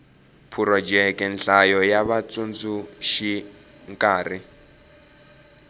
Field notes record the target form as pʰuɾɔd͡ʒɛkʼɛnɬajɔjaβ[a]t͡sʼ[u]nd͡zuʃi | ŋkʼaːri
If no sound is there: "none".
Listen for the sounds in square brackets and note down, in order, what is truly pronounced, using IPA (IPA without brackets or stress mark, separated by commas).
a, u